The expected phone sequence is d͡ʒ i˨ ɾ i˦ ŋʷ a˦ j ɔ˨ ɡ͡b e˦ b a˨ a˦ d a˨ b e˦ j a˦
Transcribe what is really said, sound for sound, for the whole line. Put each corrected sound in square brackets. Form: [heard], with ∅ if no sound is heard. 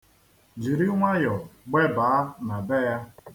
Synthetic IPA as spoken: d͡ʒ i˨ ɾ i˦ ŋʷ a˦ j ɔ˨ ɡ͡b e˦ b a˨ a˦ [n] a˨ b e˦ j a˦